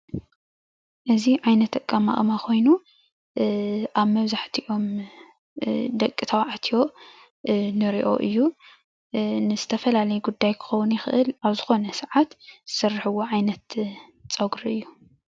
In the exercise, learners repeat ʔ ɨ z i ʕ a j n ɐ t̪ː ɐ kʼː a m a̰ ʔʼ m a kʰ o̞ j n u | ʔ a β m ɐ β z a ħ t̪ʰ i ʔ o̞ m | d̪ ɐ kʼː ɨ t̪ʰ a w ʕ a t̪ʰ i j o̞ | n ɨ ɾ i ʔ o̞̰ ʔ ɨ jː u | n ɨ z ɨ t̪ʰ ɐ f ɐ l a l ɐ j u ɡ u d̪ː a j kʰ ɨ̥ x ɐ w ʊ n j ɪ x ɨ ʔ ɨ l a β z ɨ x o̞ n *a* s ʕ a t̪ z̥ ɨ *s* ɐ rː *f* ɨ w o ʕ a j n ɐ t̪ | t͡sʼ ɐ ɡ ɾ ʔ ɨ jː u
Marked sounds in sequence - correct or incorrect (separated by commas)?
incorrect, correct, incorrect